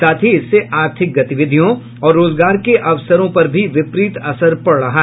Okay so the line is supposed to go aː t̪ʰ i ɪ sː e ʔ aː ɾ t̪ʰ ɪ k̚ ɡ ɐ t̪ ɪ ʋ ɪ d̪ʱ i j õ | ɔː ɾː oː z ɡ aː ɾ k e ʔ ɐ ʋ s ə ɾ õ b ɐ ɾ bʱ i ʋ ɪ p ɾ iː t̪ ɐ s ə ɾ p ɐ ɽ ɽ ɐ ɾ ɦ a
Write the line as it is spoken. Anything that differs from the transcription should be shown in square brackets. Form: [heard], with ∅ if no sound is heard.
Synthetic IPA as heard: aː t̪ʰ i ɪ sː e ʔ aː ɾ t̪ʰ ɪ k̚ ɡ ɐ t̪ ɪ ʋ ɪ d̪ʱ i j õ | ɔː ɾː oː z ɡ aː ɾ k e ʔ ɐ ʋ s ə ɾ õ [p] ɐ ɾ bʱ i ʋ ɪ p ɾ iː t̪ ɐ s ə ɾ p ɐ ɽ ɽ ɐ [∅] ɦ a